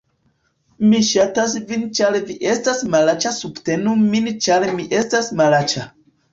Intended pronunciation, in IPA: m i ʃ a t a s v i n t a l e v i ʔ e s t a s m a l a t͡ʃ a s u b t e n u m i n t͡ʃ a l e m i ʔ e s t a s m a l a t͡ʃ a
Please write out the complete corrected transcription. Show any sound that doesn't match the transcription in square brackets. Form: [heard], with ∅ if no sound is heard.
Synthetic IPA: m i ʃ a t a s v i n [t͡ʃ] a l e v i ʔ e s t a s m a l a t͡ʃ a s u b t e n u m i n t͡ʃ a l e m i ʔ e s t a s m a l a t͡ʃ a